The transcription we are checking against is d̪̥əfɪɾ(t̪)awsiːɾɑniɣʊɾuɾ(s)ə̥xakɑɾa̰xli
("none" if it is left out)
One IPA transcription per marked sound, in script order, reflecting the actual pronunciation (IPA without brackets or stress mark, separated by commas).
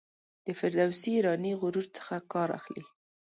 d̪, t͡s